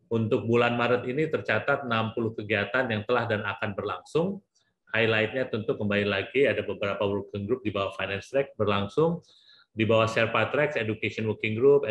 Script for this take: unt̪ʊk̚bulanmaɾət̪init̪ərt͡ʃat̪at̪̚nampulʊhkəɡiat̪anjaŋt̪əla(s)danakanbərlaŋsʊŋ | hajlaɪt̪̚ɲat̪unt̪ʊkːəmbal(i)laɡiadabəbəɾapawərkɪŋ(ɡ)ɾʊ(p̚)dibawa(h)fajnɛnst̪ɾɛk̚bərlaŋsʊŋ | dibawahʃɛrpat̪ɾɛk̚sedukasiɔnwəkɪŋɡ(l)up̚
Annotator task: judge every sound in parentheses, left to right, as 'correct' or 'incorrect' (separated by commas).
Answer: incorrect, correct, correct, correct, correct, incorrect